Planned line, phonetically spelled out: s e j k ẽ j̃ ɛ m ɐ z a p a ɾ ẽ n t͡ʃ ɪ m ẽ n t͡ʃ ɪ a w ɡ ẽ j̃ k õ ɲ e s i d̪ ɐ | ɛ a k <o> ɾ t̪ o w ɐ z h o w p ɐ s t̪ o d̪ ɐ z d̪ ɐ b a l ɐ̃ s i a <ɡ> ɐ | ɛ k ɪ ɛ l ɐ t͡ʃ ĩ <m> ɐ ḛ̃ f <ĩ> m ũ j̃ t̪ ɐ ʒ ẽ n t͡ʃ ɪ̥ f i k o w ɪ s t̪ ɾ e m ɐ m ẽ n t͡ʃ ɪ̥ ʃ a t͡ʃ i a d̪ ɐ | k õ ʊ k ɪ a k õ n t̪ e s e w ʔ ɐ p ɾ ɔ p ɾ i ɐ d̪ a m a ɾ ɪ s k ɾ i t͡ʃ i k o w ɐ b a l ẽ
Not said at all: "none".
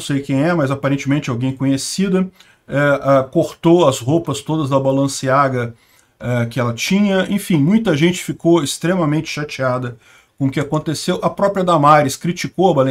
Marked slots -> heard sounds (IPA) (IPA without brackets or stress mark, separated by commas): o, ɡ, ɲ, ĩ